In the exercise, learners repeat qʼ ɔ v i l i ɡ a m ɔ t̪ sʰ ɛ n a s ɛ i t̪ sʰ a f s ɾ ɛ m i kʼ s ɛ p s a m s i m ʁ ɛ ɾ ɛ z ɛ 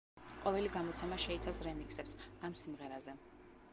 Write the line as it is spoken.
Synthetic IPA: qʼ ɔ v ɛ l i ɡ a m ɔ t̪ sʰ ɛ m a ʃ ɛ i t̪ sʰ a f s ɾ ɛ m i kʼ s ɛ p s a m s i m ʁ ɛ ɾ a z ɛ